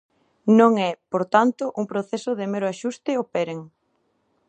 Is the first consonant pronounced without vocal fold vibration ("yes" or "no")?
no